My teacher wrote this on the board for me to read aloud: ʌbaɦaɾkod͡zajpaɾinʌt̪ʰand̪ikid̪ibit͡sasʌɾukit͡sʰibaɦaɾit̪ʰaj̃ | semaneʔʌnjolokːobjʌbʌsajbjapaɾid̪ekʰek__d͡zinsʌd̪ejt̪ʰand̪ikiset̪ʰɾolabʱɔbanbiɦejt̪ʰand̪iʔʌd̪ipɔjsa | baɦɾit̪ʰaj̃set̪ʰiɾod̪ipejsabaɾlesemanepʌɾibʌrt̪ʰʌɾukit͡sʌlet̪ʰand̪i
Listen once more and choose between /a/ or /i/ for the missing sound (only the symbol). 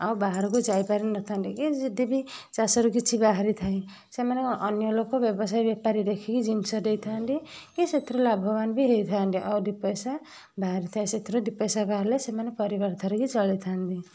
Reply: i